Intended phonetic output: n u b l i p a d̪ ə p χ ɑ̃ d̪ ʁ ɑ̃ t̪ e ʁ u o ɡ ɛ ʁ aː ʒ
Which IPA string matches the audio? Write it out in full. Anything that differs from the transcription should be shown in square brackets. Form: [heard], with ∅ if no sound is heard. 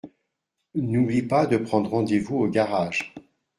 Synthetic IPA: n u b l i p a d̪ ə p χ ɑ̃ d̪ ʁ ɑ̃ [d̪] e [v] u o ɡ [a] ʁ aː ʒ